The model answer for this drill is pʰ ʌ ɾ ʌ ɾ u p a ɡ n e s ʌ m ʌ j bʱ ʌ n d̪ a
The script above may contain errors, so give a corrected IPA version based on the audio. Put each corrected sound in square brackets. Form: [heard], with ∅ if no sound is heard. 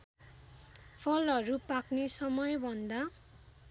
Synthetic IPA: pʰ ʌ [l] ʌ ɾ u p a [k] n e s ʌ m ʌ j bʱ ʌ n d̪ a